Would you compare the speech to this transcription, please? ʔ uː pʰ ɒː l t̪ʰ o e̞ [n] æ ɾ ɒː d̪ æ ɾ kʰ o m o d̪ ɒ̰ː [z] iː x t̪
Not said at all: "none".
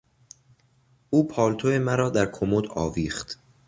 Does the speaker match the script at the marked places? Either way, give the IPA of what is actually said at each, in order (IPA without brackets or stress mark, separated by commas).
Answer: m, v